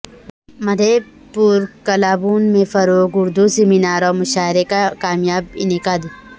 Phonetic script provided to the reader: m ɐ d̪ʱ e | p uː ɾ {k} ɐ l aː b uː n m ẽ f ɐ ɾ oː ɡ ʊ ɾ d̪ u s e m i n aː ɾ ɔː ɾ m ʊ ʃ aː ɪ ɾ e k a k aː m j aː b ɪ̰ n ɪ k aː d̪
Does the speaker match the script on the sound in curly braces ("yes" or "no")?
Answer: yes